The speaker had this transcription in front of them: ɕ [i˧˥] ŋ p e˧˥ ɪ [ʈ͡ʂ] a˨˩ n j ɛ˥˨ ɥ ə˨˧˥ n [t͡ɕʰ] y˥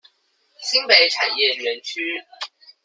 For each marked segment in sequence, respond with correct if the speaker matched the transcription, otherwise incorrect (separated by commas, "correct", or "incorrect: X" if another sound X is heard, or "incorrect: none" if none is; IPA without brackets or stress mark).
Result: incorrect: i˥, incorrect: ʈ͡ʂʰ, correct